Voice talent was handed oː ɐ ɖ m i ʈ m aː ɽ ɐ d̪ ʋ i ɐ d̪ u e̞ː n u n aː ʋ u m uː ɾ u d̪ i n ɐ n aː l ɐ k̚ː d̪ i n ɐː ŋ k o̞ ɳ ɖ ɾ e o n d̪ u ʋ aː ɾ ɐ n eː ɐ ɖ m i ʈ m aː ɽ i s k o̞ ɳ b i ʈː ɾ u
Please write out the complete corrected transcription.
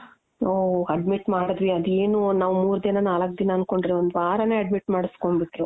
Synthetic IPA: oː ɐ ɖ m i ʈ m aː ɽ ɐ d̪ ʋ i ɐ d̪ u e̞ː n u n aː ʋ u m uː ɾ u d̪ i n ɐ n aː l ɐ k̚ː d̪ i n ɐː n k o̞ ɳ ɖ ɾ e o n d̪ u ʋ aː ɾ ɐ n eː ɐ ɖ m i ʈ m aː ɽ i s k o̞ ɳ b i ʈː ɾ u

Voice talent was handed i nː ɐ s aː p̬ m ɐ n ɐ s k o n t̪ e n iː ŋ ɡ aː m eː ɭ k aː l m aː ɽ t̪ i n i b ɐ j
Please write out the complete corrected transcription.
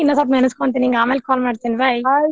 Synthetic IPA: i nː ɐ s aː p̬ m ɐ n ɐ s k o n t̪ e n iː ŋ ɡ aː m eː l k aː l m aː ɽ t̪ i n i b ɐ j

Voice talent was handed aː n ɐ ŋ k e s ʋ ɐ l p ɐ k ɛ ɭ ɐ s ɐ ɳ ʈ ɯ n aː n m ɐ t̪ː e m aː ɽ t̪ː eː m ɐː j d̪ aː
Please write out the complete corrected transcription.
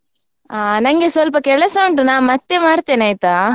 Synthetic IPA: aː n ɐ ŋ ɡ e s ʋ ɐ l p ɐ k ɛ ɭ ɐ s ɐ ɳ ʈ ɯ n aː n m ɐ t̪ː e m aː ɽ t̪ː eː n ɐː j t̪ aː

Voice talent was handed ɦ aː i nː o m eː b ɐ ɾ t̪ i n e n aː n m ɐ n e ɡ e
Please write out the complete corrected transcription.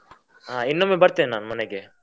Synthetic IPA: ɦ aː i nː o m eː b ɐ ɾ t̪ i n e n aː n m ɐ n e ɡ e

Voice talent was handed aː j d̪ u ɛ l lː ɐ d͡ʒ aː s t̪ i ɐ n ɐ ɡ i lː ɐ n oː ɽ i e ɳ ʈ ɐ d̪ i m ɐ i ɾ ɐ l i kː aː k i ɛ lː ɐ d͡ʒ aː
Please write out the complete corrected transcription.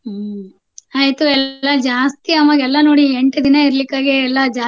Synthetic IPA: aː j t̪ u ɛ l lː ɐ d͡ʒ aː s t̪ i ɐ m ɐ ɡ ɛ lː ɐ n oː ɽ i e ɳ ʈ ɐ d̪ i n ɐ i ɾ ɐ l i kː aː ɡ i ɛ lː ɐ d͡ʒ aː

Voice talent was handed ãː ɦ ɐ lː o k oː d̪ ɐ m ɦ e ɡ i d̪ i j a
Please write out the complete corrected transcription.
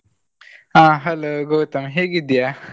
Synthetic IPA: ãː ɦ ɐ l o ɡ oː t̪ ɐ m ɦ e ɡ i d̪ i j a

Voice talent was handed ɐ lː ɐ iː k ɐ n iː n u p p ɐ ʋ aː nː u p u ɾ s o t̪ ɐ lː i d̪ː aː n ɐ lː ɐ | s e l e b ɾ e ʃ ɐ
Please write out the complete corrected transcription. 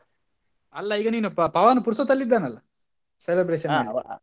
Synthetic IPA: ɐ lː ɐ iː ɡ ɐ n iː n u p p ɐ ʋ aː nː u p u ɾ s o t̪ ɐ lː i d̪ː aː n ɐ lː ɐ | s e l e b ɾ e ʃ ɐ

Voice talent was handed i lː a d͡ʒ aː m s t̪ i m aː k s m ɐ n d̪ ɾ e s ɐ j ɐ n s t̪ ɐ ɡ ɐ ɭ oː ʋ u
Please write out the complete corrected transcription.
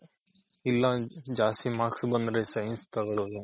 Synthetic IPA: i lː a d͡ʒ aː s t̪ i m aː k s b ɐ n d̪ ɾ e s ɐ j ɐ n s t̪ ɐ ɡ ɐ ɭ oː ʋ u

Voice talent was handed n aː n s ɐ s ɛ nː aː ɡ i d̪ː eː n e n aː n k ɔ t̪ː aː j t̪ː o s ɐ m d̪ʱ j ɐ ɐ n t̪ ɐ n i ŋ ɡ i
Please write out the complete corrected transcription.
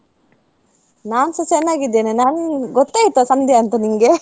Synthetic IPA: n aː n s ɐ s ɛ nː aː ɡ i d̪ː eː n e n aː n ɡ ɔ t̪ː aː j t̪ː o s ɐ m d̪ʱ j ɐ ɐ n t̪ ɐ n i ŋ ɡ e

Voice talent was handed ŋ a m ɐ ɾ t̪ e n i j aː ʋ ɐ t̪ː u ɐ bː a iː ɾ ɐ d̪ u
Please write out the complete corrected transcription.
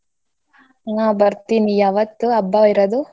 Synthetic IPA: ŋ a b ɐ ɾ t̪ i n i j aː ʋ ɐ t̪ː u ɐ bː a i ɾ ɐ d̪ u

